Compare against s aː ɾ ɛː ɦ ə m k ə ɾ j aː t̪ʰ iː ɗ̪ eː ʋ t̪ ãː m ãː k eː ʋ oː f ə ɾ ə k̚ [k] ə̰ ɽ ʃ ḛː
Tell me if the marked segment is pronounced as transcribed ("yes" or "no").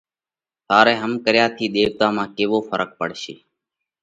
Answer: no